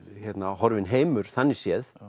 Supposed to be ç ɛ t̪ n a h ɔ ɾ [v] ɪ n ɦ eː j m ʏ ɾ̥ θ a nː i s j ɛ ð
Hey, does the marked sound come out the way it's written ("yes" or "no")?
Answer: yes